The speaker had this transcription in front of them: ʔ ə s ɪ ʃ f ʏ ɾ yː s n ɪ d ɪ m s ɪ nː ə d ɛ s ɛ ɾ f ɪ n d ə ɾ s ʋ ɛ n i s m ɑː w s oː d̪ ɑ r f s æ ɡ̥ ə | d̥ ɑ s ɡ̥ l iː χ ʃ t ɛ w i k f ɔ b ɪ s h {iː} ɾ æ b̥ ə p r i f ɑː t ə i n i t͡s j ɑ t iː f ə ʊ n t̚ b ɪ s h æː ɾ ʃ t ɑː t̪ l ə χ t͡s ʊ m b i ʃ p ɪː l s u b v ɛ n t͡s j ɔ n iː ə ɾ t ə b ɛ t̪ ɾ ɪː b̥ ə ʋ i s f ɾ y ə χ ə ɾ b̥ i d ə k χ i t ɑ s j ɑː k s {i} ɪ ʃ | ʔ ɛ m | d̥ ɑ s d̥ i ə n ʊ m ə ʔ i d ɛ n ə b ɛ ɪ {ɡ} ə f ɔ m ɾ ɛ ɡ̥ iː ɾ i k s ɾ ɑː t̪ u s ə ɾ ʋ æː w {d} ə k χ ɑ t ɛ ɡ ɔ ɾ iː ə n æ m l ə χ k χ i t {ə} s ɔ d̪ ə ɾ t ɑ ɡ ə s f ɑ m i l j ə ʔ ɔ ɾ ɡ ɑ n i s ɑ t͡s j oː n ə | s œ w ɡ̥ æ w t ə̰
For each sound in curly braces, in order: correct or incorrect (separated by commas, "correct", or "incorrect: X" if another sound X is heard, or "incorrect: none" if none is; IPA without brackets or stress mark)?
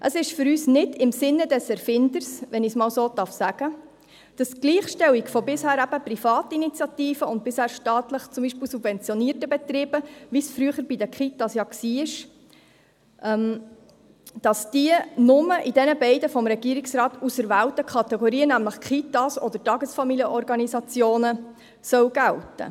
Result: incorrect: æː, incorrect: iː, incorrect: d, incorrect: t, incorrect: ɑ